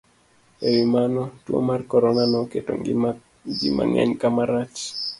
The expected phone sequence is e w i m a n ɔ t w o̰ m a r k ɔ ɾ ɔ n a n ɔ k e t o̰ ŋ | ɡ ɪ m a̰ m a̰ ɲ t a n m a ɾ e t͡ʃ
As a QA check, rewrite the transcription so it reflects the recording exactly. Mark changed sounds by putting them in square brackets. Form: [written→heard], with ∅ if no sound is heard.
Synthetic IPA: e w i m a n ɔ t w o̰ m a r k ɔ ɾ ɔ n a n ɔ k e t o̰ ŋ | ɡ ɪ m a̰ [m→ŋ] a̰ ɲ [t→k] a [n→∅] m a ɾ [e→a] t͡ʃ